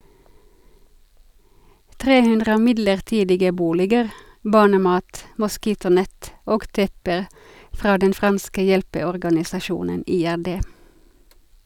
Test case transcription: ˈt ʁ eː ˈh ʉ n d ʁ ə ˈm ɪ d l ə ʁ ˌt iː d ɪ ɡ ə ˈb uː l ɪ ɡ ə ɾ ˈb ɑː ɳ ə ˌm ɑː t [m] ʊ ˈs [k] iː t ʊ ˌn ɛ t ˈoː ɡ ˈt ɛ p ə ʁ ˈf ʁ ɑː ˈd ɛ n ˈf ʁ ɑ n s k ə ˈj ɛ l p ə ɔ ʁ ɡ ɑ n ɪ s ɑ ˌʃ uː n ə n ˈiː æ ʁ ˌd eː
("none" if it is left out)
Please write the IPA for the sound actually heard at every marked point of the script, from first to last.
m, k

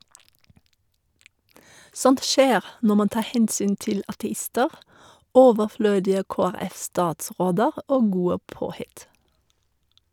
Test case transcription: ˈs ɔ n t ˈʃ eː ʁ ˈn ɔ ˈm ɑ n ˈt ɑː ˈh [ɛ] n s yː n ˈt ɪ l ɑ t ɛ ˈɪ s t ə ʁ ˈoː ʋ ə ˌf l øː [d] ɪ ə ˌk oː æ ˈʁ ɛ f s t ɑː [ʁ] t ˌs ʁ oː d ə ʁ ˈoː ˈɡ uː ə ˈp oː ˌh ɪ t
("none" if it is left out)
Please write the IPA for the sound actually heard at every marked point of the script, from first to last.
ɛ, d, none

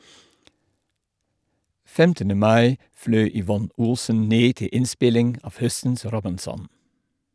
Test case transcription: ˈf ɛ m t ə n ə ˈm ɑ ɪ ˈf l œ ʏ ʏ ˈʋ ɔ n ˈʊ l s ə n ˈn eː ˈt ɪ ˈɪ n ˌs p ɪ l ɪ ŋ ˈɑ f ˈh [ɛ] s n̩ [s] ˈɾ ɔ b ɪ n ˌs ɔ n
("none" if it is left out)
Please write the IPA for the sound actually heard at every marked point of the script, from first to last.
œ, s

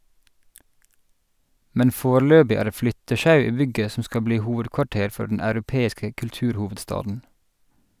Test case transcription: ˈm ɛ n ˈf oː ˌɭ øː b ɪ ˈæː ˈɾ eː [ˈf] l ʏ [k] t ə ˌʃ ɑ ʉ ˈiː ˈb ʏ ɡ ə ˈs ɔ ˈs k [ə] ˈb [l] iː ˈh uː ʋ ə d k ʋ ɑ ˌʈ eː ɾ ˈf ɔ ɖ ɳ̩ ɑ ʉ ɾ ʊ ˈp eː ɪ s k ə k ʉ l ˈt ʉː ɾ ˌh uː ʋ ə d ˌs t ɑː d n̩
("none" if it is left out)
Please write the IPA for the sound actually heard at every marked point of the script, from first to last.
f, none, ɑ, l

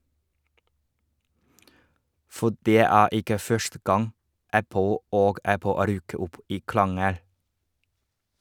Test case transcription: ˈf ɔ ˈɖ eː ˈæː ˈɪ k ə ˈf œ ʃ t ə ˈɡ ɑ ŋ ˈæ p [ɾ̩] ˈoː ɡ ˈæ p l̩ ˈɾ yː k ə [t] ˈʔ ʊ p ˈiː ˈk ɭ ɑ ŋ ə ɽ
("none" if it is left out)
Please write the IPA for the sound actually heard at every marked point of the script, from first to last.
l̩, none

